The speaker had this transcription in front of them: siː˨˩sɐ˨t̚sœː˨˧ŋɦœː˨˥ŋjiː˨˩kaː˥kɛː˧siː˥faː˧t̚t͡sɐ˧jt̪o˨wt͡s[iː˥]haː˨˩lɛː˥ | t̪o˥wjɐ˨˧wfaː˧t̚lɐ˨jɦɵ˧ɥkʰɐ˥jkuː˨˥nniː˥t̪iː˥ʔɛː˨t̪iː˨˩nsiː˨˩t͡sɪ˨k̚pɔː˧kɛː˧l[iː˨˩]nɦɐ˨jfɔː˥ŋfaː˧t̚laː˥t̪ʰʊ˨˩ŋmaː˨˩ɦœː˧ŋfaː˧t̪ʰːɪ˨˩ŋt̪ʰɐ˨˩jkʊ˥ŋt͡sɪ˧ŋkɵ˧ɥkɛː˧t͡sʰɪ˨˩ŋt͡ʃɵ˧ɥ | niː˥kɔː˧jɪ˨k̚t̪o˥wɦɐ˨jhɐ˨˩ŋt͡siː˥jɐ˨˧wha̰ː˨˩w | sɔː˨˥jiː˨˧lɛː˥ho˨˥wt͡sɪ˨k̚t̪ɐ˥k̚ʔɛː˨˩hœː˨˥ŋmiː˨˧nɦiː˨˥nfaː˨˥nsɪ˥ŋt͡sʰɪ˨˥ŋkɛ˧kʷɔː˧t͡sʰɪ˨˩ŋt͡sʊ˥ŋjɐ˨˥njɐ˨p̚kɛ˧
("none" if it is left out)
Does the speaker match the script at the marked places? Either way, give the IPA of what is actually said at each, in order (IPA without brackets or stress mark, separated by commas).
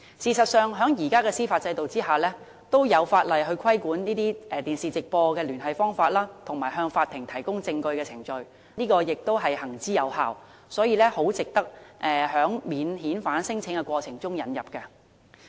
iː˥, yː˨˩